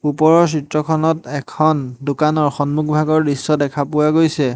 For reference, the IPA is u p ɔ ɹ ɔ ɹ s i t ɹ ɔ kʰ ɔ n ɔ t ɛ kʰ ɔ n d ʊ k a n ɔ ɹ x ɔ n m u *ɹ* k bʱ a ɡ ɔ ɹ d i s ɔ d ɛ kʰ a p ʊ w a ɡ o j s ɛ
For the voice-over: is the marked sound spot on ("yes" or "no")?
no